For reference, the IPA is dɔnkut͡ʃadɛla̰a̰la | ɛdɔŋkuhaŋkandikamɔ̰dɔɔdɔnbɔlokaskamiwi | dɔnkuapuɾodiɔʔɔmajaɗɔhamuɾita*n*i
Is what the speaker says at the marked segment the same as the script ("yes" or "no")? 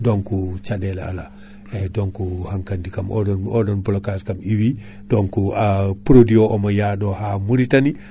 yes